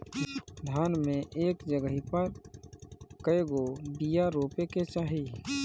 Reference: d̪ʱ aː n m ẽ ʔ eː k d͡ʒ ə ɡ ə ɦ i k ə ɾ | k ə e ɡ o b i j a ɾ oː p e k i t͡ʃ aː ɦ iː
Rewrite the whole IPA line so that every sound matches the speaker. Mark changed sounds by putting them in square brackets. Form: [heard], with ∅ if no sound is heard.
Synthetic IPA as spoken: d̪ʱ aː n m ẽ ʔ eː k d͡ʒ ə ɡ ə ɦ i [p] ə ɾ | k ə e ɡ o b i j a ɾ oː p e k [e] t͡ʃ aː ɦ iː